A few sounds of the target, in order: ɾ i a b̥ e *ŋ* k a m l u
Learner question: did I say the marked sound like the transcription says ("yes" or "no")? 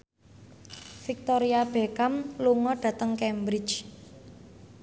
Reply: no